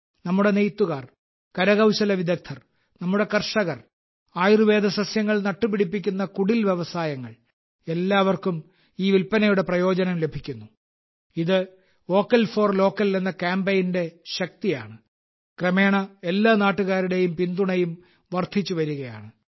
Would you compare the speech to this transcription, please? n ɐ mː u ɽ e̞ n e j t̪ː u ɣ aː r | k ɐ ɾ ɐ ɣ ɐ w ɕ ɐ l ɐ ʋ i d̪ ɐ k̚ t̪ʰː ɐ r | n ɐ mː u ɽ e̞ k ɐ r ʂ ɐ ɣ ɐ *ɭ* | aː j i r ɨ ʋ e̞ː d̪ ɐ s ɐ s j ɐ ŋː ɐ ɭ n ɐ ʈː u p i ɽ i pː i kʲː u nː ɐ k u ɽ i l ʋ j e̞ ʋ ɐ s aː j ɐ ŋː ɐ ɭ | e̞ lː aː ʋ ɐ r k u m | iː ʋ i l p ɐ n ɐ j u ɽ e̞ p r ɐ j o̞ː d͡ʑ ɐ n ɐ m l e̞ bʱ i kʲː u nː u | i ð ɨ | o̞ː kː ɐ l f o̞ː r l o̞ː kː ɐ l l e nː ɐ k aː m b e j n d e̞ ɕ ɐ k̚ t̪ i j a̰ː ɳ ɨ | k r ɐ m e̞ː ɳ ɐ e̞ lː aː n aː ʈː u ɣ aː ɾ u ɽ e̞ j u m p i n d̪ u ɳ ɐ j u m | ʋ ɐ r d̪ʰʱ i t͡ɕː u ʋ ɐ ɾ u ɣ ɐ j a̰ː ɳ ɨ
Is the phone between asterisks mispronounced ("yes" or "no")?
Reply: yes